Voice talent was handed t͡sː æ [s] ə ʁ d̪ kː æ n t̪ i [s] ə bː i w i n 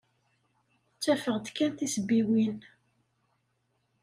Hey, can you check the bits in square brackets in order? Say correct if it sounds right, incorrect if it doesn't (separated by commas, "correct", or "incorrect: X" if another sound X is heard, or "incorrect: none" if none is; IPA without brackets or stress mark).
incorrect: f, correct